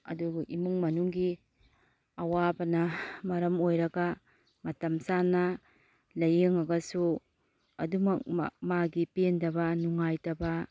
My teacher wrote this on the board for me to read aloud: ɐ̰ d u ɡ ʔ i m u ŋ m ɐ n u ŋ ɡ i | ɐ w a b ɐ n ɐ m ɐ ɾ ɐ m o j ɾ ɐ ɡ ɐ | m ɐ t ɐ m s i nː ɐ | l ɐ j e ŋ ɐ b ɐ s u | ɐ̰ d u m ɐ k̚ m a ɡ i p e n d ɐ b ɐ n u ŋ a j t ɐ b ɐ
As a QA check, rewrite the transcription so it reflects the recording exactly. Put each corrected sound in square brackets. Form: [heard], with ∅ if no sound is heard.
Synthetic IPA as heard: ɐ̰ d u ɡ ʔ i m u ŋ m ɐ n u ŋ ɡ i | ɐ w a b ɐ n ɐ m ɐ ɾ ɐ m o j ɾ ɐ ɡ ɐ | m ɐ t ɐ m s [a] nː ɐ | l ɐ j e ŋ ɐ [ɡ] ɐ s u | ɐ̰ d u m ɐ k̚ m a ɡ i p e n d ɐ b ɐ n u ŋ a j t ɐ b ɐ